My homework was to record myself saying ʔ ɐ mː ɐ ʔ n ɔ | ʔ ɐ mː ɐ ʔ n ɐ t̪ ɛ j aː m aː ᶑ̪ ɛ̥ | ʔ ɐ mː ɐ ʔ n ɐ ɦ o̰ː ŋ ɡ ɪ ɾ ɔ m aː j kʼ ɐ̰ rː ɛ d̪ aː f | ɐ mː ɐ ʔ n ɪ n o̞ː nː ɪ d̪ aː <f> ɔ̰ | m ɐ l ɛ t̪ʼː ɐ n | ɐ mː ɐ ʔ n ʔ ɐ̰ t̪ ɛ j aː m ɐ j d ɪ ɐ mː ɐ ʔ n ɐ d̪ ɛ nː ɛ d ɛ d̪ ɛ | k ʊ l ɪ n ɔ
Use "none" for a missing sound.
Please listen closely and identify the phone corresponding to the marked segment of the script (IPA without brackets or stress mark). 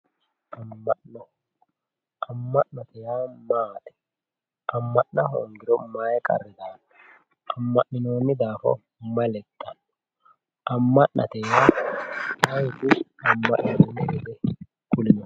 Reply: f